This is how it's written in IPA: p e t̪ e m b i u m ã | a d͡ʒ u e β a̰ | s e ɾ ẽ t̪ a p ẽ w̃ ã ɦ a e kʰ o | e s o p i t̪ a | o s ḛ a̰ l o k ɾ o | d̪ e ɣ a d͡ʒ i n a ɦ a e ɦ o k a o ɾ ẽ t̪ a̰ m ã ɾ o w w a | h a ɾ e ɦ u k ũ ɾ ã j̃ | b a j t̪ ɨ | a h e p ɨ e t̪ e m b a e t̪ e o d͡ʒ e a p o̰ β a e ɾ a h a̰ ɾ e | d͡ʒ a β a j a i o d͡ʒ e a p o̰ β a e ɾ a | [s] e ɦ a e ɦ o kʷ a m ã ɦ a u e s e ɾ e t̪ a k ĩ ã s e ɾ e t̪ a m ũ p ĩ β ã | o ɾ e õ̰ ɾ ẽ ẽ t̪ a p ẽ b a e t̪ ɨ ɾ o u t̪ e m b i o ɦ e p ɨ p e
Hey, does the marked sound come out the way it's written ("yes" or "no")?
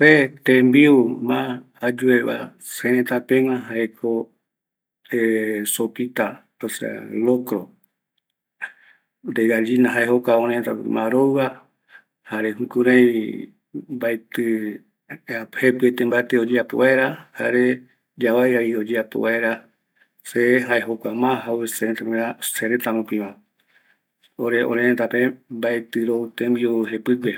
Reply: yes